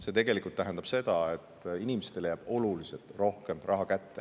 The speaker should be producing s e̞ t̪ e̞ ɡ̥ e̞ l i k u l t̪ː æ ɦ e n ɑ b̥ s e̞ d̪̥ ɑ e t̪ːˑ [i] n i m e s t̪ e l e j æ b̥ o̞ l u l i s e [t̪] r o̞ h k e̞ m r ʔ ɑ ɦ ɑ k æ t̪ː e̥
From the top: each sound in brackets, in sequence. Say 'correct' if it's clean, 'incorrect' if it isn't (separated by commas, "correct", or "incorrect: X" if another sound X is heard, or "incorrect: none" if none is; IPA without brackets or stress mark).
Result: correct, correct